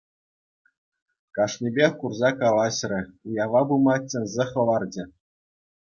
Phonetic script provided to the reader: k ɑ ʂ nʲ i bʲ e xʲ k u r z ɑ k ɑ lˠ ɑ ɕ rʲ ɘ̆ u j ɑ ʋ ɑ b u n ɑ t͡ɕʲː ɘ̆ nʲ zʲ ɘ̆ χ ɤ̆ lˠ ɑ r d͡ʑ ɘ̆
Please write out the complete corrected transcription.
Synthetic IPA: k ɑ ʂ nʲ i bʲ e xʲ k u r z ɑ k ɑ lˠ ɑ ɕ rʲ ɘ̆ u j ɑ ʋ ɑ b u m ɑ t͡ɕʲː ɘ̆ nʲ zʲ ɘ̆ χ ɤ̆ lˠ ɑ r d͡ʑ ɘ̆